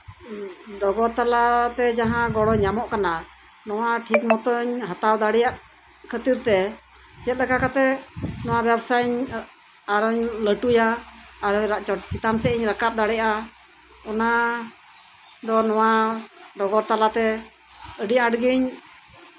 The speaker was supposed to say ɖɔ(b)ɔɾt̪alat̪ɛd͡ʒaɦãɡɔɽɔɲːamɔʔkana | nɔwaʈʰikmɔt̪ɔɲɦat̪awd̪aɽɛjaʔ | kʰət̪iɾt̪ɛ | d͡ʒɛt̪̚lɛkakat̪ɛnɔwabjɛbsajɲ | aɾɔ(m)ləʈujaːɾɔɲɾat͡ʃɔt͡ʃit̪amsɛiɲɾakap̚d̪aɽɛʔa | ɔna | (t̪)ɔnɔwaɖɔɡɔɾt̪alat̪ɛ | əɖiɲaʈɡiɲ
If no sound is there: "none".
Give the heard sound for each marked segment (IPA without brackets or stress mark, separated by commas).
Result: ɡ, ɲ, d̪